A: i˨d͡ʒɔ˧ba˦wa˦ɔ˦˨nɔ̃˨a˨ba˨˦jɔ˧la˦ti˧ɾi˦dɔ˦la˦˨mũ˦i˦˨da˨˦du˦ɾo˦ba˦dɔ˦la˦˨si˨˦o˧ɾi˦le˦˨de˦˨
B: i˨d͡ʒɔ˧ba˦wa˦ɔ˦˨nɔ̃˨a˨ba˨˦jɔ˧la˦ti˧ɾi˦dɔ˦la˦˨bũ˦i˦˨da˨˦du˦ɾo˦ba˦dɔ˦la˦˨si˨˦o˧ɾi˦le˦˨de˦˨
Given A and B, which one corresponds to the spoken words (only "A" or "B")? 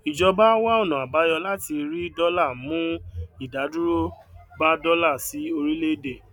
A